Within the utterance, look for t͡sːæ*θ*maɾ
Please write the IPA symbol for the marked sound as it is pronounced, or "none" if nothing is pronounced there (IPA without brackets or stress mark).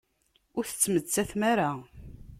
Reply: θ